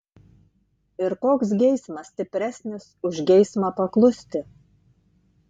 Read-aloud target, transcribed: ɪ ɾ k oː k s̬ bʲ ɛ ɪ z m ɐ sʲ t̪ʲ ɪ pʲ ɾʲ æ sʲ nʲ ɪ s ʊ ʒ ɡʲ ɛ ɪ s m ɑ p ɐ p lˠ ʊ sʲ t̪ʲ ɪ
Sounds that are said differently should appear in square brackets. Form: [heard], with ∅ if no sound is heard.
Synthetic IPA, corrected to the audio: ɪ ɾ k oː k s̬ [ɡʲ] ɛ ɪ [s] m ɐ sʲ t̪ʲ ɪ pʲ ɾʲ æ sʲ nʲ ɪ s ʊ ʒ ɡʲ ɛ ɪ s m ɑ p ɐ [k] lˠ ʊ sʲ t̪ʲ ɪ